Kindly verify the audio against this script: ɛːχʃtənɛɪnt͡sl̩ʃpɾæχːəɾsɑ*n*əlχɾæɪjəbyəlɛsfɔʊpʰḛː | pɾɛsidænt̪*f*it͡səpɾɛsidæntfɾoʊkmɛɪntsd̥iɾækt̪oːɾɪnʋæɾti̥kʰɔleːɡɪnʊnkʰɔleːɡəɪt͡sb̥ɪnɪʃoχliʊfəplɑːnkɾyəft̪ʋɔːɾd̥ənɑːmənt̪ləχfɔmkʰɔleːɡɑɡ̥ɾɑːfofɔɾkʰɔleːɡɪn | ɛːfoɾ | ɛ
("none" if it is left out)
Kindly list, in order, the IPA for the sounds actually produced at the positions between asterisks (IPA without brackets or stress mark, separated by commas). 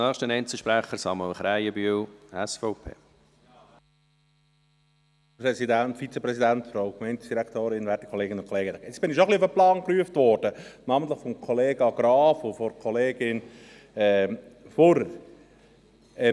m, f